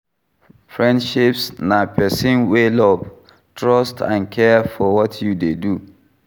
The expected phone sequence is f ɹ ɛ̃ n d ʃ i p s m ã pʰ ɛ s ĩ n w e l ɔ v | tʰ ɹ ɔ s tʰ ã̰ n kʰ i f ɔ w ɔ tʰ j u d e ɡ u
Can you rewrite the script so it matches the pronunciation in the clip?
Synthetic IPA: f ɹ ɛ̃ n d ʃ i p s n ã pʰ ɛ s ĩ n w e l ɔ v | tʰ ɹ ɔ s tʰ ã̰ n kʰ ɛ f ɔ w ɔ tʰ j u d e d u